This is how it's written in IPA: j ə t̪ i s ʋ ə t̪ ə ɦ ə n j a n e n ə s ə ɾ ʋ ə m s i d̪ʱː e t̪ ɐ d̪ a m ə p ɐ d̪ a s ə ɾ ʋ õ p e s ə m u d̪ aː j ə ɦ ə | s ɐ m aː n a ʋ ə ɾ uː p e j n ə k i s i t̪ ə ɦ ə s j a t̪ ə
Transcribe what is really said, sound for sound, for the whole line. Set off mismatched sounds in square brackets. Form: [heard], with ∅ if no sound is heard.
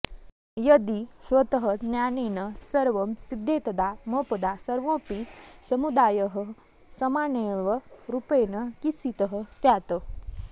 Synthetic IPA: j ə [d̪] i s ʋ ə t̪ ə ɦ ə n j a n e n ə s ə ɾ ʋ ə m s i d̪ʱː e t̪ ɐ d̪ a m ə p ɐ d̪ a s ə ɾ ʋ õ p [i] s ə m u d̪ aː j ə ɦ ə | s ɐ m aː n [e] ʋ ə ɾ [u] p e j n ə k i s i t̪ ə ɦ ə s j a t̪ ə